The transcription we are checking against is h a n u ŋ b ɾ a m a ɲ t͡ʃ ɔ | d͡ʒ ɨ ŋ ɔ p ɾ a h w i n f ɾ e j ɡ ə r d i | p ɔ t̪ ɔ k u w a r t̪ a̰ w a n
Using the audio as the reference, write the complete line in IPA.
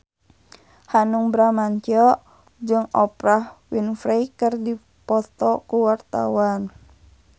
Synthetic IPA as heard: h a n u ŋ b ɾ a m a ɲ t͡ʃ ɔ | d͡ʒ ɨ ŋ ɔ p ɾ a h w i n f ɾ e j k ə r d i | p ɔ t̪ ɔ k u w a r t̪ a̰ w a n